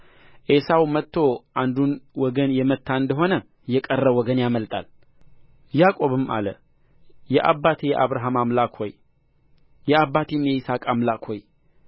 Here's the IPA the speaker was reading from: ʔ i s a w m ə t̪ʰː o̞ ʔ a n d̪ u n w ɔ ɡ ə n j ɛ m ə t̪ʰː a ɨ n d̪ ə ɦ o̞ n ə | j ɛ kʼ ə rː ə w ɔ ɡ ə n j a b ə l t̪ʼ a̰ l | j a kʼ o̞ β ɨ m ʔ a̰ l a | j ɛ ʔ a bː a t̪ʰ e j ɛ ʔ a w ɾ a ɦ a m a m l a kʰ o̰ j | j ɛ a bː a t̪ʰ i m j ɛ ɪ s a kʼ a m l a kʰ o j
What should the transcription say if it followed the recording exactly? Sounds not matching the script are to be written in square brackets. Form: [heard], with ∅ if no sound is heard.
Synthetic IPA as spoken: ʔ [e] s a w m ə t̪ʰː o̞ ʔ a n d̪ u n w ɔ ɡ ə n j ɛ m ə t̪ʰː a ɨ n d̪ ə ɦ o̞ n ə | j ɛ kʼ ə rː ə w ɔ ɡ ə n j a [m] ə l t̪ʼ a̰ l | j a kʼ o̞ β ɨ m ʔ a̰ l [ə] | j ɛ ʔ a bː a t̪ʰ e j ɛ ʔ a [β] ɾ a ɦ a m a m l a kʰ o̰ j | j ɛ a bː a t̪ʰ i m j ɛ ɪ s a kʼ a m l a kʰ o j